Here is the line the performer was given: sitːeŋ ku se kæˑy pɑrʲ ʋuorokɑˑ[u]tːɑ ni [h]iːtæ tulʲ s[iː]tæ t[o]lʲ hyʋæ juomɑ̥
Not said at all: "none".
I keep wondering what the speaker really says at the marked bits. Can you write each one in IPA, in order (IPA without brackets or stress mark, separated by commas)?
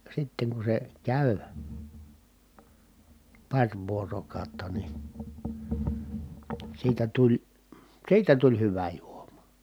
o, s, iː, u